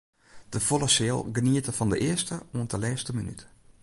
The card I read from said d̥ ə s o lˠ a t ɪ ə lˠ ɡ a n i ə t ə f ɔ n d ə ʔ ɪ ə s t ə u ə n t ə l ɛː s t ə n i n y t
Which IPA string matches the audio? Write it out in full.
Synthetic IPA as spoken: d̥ ə f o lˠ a s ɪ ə lˠ ɡ ə n i ə t ə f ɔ n d ə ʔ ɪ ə s t ə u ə n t ə l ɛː s t ə m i n y t